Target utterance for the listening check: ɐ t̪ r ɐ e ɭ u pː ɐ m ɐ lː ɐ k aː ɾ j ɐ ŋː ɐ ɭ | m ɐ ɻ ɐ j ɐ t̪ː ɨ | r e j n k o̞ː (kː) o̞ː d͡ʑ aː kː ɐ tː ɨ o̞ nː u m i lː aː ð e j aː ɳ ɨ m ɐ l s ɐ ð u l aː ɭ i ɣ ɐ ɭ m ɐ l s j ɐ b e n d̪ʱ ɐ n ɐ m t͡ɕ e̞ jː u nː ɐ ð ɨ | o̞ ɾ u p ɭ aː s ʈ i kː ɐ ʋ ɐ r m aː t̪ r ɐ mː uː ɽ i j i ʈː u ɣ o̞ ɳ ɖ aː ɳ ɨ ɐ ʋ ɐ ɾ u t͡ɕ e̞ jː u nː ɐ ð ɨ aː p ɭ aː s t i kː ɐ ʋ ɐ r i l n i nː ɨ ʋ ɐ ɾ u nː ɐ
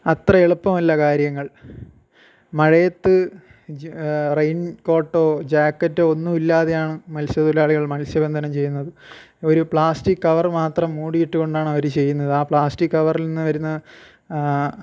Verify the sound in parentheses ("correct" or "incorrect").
incorrect